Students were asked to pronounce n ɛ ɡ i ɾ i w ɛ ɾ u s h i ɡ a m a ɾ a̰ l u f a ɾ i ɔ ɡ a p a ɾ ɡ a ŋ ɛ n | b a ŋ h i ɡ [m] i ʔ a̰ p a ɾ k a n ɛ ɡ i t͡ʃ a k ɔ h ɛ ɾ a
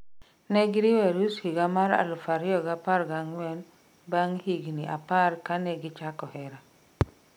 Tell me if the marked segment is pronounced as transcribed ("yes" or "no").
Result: no